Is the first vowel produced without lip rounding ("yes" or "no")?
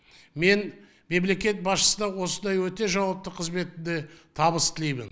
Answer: yes